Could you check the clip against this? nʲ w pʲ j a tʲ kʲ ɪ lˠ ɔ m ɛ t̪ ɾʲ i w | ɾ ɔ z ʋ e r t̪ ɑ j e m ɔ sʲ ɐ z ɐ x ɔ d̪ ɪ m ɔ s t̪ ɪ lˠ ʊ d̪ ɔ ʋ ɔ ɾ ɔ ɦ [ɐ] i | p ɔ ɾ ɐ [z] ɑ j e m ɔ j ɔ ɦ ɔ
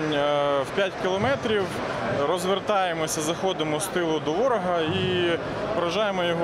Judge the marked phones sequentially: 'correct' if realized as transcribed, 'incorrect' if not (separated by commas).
correct, incorrect